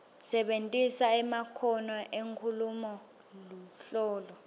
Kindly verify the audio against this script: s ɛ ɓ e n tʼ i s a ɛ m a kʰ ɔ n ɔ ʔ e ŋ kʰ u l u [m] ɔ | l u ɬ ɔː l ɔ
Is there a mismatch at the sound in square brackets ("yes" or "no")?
no